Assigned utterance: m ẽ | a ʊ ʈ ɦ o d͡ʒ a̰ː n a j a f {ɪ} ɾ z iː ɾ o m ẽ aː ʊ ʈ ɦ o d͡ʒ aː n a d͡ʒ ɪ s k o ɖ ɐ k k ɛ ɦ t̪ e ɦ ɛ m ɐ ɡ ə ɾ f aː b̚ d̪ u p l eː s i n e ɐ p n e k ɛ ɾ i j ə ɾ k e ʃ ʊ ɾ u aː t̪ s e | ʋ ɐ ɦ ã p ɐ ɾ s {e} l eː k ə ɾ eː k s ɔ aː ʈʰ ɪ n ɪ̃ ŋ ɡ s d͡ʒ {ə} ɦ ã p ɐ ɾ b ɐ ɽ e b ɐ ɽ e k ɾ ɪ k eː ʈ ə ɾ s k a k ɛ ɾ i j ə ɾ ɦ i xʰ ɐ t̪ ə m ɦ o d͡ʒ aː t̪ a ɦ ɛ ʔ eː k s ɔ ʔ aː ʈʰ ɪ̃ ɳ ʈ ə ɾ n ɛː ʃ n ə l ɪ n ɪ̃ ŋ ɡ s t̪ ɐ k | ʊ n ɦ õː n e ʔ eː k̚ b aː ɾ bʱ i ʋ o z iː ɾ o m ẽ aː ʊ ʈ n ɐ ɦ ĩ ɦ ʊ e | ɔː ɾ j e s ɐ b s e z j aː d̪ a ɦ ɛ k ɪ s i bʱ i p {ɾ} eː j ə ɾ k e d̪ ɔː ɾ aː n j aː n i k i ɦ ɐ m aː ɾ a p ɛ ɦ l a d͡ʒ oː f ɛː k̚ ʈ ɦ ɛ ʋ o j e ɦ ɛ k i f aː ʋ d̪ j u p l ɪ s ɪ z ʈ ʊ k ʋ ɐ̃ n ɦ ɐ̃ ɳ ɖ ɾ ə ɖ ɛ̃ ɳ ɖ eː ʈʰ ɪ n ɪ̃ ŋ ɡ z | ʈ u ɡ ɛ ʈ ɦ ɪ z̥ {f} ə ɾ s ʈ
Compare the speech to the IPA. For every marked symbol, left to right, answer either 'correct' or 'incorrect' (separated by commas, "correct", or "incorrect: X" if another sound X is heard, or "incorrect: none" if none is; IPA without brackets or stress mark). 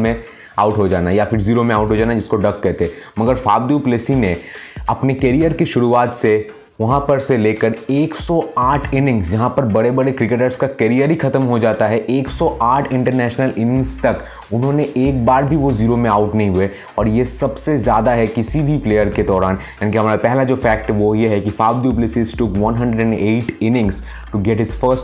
correct, correct, incorrect: ɐ, incorrect: l, correct